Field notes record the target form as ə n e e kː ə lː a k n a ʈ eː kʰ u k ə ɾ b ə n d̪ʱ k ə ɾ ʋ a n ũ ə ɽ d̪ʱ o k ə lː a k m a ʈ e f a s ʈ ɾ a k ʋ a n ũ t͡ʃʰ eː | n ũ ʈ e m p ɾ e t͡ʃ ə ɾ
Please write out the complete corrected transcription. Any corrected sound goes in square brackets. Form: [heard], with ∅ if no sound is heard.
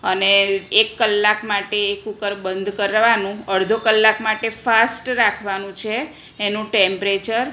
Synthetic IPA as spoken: ə n e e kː ə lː a k [m] a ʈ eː [k] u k ə ɾ b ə n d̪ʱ k ə ɾ ʋ a n ũ ə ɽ d̪ʱ o k ə lː a k m a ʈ e f a s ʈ ɾ a [kʰ] ʋ a n ũ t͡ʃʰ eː | n ũ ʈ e m p ɾ e t͡ʃ ə ɾ